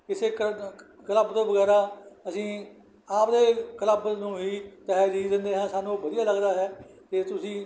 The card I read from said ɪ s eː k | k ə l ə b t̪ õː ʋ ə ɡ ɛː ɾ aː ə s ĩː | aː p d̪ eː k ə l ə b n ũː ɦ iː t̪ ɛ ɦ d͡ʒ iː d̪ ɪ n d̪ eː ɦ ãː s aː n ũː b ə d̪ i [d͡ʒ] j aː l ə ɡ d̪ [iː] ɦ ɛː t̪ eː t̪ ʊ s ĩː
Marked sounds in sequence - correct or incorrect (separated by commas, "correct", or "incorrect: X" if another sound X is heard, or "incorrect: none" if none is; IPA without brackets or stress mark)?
incorrect: none, incorrect: aː